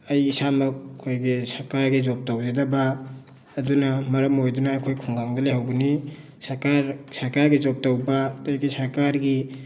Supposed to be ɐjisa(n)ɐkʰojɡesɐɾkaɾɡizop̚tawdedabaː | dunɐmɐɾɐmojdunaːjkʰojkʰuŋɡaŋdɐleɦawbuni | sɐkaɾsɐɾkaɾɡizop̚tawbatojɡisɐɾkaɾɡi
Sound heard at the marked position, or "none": m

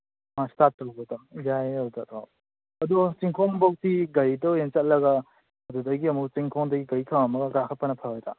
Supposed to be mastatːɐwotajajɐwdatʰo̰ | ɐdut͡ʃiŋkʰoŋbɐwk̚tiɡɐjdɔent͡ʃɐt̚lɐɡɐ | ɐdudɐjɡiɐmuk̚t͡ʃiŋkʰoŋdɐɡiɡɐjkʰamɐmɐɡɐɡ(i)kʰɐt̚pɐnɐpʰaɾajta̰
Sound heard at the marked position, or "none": a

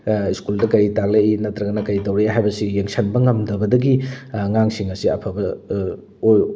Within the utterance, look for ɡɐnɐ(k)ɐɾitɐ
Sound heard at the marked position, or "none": k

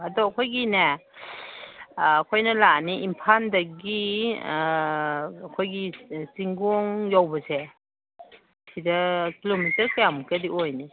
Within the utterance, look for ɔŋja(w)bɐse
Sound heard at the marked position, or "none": w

